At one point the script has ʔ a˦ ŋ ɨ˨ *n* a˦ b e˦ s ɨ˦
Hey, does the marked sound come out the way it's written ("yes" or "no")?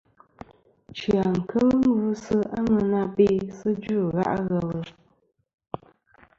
yes